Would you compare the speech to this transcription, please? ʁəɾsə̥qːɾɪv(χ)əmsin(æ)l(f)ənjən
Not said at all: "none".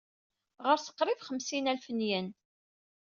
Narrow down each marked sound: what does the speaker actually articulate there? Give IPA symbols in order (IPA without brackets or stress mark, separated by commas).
χ, æ, f